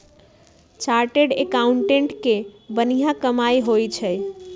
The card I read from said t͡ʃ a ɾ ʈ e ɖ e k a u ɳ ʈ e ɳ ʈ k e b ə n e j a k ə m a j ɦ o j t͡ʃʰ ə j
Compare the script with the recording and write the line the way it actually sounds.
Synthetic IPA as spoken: t͡ʃ a ɾ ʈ e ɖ e k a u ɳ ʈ e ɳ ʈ k e b ə n i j a k ə m a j ɦ o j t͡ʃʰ ə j